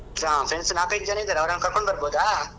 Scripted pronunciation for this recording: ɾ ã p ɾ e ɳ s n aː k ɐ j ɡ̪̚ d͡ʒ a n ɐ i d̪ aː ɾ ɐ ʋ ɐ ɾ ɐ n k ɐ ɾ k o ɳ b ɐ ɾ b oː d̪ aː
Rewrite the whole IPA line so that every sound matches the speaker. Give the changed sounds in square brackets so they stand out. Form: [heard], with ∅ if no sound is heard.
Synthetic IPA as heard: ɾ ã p ɾ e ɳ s n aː k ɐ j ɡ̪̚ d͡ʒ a n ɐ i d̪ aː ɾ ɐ ʋ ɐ ɾ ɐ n k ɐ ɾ k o ɳ b ɐ ɾ b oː d̪ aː